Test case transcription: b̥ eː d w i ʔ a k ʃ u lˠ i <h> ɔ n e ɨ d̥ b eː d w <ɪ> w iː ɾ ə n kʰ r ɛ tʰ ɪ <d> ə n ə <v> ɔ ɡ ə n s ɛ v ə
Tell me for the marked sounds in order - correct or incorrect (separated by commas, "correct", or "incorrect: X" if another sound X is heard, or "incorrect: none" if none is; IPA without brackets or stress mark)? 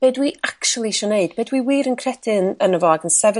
incorrect: ʃ, incorrect: i, incorrect: n, correct